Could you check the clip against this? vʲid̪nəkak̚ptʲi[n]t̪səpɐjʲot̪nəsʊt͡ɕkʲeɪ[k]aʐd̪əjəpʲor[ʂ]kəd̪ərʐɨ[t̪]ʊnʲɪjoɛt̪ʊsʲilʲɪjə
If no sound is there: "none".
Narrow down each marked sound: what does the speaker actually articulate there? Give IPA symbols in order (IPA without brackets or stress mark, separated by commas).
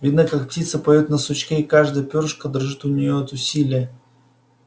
none, k, ʂ, t̪